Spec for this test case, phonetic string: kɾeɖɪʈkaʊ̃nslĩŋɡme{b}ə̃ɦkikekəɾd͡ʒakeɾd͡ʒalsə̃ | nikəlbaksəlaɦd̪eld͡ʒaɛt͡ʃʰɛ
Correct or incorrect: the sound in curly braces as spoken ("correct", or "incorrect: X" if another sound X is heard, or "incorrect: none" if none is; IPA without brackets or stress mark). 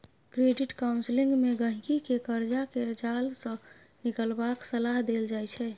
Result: incorrect: ɡ